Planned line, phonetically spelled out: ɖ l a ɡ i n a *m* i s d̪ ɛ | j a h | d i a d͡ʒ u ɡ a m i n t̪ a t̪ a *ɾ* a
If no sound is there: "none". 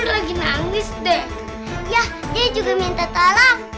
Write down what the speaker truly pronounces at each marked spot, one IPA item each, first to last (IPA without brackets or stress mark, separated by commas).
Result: ŋ, l